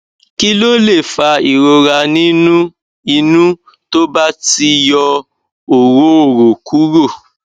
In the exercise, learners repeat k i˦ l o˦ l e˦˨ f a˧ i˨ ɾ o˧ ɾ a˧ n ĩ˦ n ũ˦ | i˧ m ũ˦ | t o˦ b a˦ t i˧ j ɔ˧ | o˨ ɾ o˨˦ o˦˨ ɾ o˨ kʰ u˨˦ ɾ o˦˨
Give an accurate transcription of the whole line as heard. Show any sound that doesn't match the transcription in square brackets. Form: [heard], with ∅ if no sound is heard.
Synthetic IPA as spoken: k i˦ l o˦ l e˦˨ f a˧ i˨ ɾ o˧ ɾ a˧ n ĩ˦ n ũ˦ | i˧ [n] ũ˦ | t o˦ b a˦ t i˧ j ɔ˧ | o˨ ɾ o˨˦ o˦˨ ɾ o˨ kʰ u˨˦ ɾ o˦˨